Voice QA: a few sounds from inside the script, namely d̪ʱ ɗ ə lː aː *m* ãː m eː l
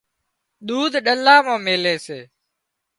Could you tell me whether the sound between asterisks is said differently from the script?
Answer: no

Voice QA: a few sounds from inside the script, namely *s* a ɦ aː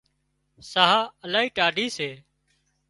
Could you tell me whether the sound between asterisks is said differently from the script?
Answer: no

